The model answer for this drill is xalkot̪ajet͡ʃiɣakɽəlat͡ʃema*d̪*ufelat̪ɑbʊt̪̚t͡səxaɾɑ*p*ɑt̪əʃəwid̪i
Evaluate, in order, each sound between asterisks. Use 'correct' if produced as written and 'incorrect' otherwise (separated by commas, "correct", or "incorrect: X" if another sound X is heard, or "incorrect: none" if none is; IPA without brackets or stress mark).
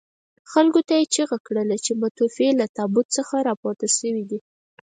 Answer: incorrect: t̪, correct